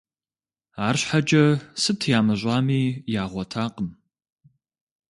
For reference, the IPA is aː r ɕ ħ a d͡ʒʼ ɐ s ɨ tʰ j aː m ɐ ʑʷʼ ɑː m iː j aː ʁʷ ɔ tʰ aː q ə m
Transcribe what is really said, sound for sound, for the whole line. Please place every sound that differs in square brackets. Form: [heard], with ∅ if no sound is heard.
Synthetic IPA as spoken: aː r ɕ ħ a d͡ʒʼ ɐ s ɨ tʰ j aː m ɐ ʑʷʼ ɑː m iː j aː ʁʷ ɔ tʰ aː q ə m